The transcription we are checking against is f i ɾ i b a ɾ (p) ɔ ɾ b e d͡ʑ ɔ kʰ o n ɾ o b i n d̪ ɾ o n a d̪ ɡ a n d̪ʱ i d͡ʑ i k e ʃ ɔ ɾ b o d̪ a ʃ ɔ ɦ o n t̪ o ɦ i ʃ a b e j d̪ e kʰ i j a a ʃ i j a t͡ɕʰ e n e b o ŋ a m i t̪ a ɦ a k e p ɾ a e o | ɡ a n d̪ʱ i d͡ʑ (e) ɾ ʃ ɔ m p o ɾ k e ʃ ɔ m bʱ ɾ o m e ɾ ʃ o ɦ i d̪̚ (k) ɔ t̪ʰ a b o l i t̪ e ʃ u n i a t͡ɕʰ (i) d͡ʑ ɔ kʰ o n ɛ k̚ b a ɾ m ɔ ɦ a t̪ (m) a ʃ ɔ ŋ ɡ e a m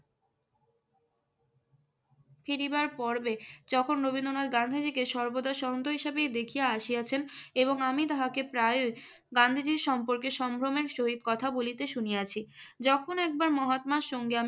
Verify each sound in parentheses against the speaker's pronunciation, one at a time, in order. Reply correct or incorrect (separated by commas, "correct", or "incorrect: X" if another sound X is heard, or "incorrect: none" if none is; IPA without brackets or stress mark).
correct, incorrect: i, correct, correct, correct